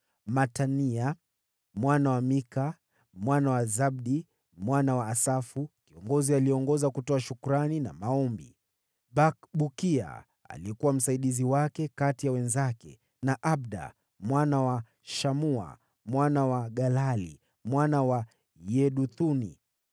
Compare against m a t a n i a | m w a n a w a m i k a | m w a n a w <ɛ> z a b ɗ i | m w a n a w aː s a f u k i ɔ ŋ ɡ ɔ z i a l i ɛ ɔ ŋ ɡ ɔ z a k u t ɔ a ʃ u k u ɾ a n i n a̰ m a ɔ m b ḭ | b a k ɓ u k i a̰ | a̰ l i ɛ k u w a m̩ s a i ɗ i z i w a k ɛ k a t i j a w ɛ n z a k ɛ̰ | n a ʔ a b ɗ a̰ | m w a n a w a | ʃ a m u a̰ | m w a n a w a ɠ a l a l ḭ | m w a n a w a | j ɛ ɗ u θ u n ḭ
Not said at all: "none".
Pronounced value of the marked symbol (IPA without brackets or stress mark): a